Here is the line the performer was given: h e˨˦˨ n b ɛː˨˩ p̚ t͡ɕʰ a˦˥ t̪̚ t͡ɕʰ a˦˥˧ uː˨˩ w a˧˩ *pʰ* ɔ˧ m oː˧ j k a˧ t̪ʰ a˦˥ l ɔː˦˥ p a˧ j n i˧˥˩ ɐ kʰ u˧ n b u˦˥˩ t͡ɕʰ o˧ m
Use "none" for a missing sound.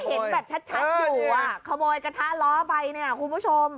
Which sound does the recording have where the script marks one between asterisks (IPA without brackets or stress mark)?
kʰ